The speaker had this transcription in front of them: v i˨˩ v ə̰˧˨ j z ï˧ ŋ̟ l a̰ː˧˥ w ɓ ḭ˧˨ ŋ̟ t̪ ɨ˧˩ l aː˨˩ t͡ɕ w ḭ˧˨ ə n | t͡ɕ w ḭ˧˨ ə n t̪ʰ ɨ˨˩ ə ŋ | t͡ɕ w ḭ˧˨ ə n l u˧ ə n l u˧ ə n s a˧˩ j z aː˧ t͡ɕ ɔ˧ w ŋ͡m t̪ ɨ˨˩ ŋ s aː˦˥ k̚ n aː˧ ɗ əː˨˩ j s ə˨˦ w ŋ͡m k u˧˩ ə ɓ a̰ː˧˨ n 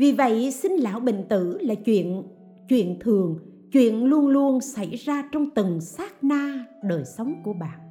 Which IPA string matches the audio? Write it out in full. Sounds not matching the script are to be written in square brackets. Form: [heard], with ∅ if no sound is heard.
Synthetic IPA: v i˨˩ v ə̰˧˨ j [s] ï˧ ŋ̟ l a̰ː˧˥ w ɓ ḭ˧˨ ŋ̟ t̪ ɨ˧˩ l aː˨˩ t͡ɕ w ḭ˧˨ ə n | t͡ɕ w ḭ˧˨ ə n t̪ʰ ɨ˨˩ ə ŋ | t͡ɕ w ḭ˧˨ ə n l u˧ ə n l u˧ ə n s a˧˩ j z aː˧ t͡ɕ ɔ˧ w ŋ͡m t̪ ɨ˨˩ ŋ s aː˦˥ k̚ n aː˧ ɗ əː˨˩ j s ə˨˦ w ŋ͡m k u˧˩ ə ɓ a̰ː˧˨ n